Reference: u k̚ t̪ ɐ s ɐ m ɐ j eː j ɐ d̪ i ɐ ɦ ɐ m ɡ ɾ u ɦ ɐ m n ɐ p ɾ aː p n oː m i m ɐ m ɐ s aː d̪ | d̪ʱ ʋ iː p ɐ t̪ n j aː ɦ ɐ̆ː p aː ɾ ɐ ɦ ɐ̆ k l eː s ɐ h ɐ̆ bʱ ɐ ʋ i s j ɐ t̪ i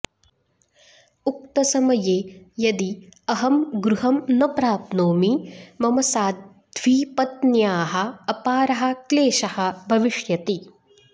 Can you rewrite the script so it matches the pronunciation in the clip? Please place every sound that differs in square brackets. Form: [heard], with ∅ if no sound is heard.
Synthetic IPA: u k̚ t̪ ɐ s ɐ m ɐ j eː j ɐ d̪ i ɐ ɦ ɐ m ɡ ɾ u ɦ ɐ m n ɐ p ɾ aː p n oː m i m ɐ m ɐ s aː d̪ | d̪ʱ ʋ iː p ɐ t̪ n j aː ɦ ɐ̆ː p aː ɾ ɐ ɦ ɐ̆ k l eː [ʃ] ɐ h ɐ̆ bʱ ɐ ʋ i [ʂ] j ɐ t̪ i

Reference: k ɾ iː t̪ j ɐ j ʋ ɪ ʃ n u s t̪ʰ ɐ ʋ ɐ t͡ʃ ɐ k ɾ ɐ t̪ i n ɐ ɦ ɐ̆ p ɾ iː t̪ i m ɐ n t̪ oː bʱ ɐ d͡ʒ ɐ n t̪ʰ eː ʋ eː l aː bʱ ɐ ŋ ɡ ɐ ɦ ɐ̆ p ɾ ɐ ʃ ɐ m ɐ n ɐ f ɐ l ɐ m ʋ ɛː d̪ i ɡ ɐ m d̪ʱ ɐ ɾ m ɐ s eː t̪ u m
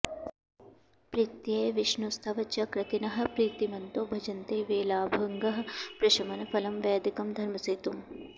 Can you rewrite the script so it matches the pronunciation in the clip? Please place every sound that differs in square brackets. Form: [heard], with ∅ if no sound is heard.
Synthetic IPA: [p] ɾ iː t̪ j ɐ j ʋ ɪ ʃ n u s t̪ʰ ɐ ʋ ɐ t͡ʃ ɐ k ɾ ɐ t̪ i n ɐ ɦ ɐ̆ p ɾ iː t̪ i m ɐ n t̪ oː bʱ ɐ d͡ʒ ɐ n [t̪] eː ʋ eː l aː bʱ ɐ ŋ ɡ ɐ ɦ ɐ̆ p ɾ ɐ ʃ ɐ m ɐ n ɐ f ɐ l ɐ m ʋ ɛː d̪ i [k] ɐ m d̪ʱ ɐ ɾ m ɐ s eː t̪ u m

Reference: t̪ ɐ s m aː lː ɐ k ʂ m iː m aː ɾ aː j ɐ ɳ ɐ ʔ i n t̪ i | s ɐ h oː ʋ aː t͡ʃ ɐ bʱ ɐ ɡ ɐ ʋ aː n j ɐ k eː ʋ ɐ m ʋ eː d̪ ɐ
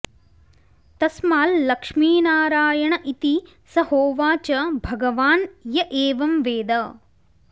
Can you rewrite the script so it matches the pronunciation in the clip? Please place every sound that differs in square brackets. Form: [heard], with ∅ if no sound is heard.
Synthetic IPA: t̪ ɐ s m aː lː ɐ k ʂ m iː [n] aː ɾ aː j ɐ ɳ ɐ ʔ i [∅] t̪ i | s ɐ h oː ʋ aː t͡ʃ ɐ bʱ ɐ ɡ ɐ ʋ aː n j ɐ [ʔ] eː ʋ ɐ m ʋ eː d̪ ɐ

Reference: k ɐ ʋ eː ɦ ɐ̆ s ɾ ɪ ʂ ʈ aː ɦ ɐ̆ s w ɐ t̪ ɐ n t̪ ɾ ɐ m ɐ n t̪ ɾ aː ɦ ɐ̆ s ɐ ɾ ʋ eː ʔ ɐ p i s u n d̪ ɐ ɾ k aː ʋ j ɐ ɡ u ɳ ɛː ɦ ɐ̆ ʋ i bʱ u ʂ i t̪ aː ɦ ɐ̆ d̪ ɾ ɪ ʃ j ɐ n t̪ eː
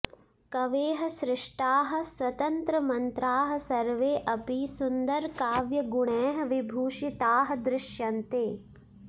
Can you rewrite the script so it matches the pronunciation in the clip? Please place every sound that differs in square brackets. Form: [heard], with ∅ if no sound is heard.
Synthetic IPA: k ɐ ʋ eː ɦ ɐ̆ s ɾ ɪ ʂ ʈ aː ɦ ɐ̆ s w ɐ t̪ ɐ n t̪ ɾ ɐ m ɐ n t̪ ɾ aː ɦ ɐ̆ s ɐ ɾ ʋ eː ʔ ɐ p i s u n d̪ ɐ ɾ k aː ʋ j ɐ ɡ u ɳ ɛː ɦ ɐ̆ ʋ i bʱ [uː] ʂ i t̪ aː ɦ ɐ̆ d̪ ɾ ɪ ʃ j ɐ n t̪ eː

